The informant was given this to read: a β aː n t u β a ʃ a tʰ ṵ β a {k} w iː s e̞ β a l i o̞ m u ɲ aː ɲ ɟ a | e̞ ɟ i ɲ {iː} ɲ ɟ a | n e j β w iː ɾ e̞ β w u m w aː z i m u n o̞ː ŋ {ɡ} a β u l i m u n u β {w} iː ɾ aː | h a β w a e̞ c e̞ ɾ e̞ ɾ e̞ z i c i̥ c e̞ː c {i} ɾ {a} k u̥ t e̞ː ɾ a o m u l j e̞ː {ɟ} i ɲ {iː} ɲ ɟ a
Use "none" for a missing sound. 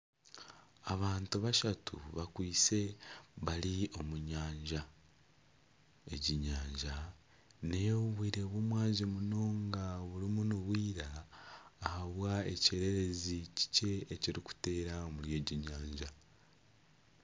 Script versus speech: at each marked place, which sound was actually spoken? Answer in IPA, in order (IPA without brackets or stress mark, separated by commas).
k, aː, ɡ, w, i, i, ɟ, aː